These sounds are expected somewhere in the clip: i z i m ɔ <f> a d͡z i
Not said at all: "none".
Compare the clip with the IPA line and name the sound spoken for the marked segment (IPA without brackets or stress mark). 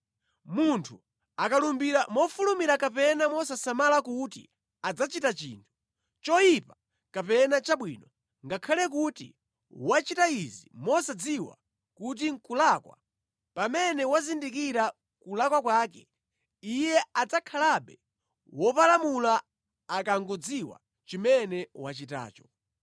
s